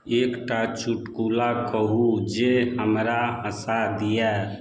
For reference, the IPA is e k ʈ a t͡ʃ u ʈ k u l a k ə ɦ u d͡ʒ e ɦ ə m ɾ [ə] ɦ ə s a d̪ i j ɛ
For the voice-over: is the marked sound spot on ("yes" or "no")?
no